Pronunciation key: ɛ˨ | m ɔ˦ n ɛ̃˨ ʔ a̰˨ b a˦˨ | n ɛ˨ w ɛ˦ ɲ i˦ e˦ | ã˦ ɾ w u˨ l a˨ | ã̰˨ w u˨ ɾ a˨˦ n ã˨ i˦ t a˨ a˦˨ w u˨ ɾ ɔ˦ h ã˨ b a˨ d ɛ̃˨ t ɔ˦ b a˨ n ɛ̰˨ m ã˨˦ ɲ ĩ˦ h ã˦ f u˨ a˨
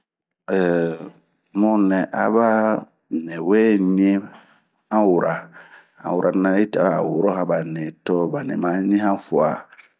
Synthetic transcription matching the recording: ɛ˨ | m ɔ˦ n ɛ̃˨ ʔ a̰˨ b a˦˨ | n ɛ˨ w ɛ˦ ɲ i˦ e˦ | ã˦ w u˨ ɾ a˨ | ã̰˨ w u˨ ɾ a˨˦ n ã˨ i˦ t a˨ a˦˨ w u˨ ɾ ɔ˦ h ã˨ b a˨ n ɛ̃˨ t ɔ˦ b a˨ n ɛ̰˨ m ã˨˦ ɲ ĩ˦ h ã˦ f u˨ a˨